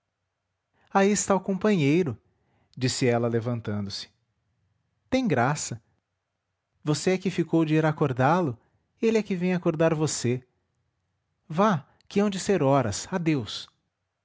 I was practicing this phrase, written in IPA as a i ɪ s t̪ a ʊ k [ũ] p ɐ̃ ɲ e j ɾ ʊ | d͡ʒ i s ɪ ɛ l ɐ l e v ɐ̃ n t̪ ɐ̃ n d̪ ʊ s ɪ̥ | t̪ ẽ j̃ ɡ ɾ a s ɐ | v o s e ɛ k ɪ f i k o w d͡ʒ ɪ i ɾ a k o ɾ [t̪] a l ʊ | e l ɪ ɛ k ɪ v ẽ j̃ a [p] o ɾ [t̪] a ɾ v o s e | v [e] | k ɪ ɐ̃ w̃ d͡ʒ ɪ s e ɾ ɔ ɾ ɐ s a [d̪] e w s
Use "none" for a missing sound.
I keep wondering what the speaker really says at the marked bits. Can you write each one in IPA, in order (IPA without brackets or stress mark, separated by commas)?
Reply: õ, d̪, k, d̪, a, d̪